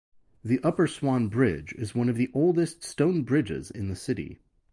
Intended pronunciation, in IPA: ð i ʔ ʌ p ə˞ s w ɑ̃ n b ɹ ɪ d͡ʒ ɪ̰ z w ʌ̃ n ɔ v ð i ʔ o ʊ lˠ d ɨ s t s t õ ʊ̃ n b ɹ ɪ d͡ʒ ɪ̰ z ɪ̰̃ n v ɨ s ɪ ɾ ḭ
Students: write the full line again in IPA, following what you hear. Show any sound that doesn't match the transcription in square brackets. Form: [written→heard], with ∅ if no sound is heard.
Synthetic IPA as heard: ð i ʔ ʌ p ə˞ s w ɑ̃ n b ɹ ɪ d͡ʒ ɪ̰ z w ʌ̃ n [ɔ→ʌ] v ð i ʔ o ʊ lˠ d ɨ s t s t õ ʊ̃ n b ɹ ɪ d͡ʒ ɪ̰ z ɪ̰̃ n [v→ð] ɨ s ɪ ɾ ḭ

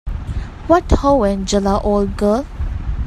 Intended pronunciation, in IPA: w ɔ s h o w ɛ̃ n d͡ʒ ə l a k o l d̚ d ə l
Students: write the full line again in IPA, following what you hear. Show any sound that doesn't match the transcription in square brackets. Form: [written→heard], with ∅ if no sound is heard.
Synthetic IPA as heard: w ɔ [s→t] h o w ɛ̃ n d͡ʒ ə l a [k→ʔ] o l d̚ [d→ɡ] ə l

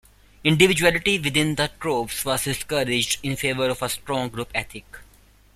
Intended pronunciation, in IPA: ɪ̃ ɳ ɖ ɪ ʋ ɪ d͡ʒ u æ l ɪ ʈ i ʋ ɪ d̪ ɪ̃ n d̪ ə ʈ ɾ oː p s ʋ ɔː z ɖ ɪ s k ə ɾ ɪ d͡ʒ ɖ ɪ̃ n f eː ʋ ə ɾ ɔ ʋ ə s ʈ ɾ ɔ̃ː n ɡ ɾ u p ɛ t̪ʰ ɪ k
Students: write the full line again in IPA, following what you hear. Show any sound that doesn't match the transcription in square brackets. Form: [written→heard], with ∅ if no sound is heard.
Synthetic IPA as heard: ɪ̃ ɳ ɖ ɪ ʋ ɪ d͡ʒ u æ l ɪ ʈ i ʋ ɪ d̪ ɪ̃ n d̪ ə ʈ ɾ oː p s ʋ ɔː z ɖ ɪ s k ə ɾ ɪ d͡ʒ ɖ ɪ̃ n f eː ʋ ə ɾ ɔ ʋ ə s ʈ ɾ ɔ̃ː [n→ŋ] ɡ ɾ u p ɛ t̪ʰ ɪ k

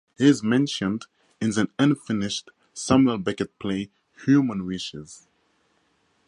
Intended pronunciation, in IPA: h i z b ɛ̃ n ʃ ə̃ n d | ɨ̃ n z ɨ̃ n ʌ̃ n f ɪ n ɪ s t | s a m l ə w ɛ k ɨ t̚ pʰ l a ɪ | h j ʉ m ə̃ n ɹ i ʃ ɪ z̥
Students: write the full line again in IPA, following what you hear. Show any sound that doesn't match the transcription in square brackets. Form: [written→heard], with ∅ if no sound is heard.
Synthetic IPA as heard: h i z [b→m] ɛ̃ n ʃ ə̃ n d | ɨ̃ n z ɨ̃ n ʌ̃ n f ɪ n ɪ [s→ʃ] t | s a m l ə [w→b] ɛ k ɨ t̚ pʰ l [a→e] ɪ | h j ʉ m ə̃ n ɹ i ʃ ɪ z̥

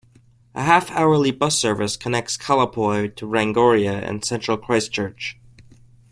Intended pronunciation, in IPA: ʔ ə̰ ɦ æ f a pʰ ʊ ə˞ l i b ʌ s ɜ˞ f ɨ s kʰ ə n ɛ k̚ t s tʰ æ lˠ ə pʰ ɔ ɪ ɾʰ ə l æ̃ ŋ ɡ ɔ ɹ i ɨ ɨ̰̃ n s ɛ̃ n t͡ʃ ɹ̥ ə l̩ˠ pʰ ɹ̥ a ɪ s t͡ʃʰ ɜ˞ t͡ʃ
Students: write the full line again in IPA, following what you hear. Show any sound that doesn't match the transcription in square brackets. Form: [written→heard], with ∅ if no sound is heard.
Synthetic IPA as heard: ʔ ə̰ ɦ æ f a [pʰ→∅] ʊ ə˞ l i b ʌ s ɜ˞ [f→v] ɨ s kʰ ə n ɛ k̚ t s [tʰ→kʰ] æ lˠ ə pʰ ɔ ɪ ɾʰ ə [l→ɹ] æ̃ ŋ ɡ ɔ ɹ i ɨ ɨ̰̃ n s ɛ̃ n t͡ʃ ɹ̥ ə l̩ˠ [pʰ→kʰ] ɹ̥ a ɪ s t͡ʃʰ ɜ˞ t͡ʃ

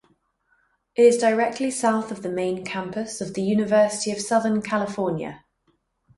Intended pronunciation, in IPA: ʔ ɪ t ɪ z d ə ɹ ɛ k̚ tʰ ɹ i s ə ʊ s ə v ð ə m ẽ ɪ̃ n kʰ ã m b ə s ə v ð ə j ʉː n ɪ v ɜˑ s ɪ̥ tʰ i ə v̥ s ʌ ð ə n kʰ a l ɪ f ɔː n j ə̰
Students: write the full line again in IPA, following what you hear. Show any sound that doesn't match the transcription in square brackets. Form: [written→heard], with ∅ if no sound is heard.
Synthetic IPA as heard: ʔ ɪ t ɪ z d ə ɹ ɛ k̚ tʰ [ɹ→l] i s [ə→a] ʊ [s→θ] ə v ð ə m ẽ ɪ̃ n kʰ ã m [b→p] ə s ə v ð ə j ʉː n ɪ v ɜˑ s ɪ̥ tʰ i ə v̥ s ʌ ð ə n kʰ a l ɪ f ɔː n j ə̰

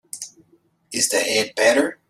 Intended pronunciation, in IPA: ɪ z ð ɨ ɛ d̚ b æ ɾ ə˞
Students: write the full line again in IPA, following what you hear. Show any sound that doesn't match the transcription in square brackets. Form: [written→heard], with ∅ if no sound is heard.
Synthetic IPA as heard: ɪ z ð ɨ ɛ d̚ b [æ→ɛ] ɾ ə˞

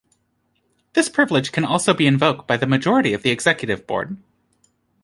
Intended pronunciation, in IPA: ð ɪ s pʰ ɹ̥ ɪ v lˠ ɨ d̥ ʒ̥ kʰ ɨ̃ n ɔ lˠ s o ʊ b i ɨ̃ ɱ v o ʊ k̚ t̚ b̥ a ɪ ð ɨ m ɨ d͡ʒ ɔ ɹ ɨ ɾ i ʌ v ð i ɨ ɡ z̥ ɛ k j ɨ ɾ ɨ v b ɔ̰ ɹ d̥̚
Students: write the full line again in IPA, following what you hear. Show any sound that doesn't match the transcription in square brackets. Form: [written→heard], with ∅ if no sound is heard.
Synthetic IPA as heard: ð ɪ s pʰ ɹ̥ ɪ v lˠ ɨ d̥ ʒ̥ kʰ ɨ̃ n ɔ lˠ s o ʊ b i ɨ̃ ɱ v o ʊ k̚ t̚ b̥ a ɪ ð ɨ m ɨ d͡ʒ ɔ ɹ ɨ ɾ i ʌ v ð i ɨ ɡ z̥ ɛ k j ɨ ɾ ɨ v b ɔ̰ ɹ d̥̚

